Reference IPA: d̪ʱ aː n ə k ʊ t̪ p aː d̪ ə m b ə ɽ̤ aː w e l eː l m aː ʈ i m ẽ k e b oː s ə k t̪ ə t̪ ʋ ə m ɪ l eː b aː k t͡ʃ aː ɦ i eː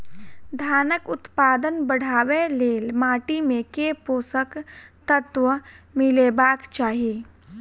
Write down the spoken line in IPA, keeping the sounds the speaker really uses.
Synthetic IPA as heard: d̪ʱ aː n ə k ʊ t̪ p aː d̪ ə n b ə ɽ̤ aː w e l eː l m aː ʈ i m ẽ k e p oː s ə k t̪ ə t̪ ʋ ə m ɪ l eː b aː k t͡ʃ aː ɦ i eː